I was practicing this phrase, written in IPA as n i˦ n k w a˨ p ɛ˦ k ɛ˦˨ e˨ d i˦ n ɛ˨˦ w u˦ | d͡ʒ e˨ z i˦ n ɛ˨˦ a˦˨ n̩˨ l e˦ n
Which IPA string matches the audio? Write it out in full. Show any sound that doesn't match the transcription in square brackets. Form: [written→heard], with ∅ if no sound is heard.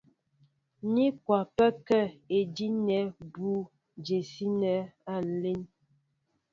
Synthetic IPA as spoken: n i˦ [n→∅] k w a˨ p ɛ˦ k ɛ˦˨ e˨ d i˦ n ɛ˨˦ [w→b] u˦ | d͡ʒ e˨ [z→s] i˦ n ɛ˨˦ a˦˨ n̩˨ l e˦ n